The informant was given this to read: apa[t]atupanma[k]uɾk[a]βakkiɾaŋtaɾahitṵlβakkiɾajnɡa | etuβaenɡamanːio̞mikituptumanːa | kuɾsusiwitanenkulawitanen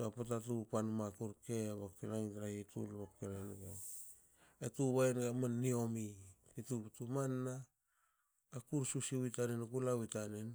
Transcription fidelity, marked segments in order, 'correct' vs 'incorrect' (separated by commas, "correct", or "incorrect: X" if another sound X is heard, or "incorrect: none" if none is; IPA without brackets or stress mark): correct, correct, incorrect: e